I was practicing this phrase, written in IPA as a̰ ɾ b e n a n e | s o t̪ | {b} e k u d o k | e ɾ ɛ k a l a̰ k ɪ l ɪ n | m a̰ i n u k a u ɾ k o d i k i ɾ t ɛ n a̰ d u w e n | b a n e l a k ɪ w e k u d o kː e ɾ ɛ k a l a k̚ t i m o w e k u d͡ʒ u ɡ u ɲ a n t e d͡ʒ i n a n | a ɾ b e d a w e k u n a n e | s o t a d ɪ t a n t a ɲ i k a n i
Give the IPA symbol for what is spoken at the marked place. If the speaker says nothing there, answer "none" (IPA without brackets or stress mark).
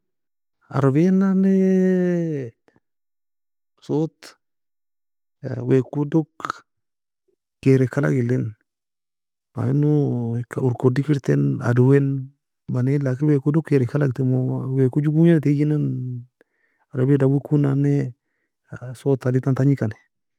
w